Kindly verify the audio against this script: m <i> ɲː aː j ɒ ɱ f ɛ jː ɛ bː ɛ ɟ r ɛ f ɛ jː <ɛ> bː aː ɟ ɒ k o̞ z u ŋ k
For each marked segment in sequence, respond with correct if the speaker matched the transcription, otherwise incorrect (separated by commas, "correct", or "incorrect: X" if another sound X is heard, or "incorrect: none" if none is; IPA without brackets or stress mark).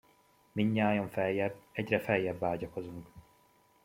correct, correct